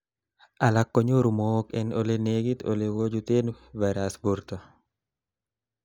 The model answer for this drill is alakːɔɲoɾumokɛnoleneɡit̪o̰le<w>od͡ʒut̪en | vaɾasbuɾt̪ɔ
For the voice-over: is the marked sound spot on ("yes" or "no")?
yes